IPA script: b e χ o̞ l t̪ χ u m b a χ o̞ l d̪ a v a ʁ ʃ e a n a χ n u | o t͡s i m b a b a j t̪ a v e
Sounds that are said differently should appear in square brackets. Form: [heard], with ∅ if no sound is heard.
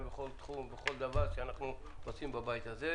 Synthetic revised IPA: b e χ o̞ l t̪ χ u m b [e] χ o̞ l d̪ a v a ʁ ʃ e a n a χ n u | o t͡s i m b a b a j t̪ a [z] e